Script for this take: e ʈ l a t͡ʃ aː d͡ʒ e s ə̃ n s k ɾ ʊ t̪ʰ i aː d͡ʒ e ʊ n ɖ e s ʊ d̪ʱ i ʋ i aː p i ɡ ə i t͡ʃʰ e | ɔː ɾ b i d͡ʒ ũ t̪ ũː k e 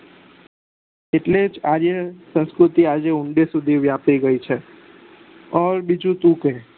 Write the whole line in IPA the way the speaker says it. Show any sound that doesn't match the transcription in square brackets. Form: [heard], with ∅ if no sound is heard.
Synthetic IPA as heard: e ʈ l [e] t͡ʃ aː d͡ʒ e s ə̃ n s k ɾ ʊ [t̪] i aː d͡ʒ e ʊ [ɳ] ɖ e s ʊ d̪ʱ i ʋ [j] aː p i ɡ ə i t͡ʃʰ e | ɔː ɾ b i d͡ʒ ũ t̪ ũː k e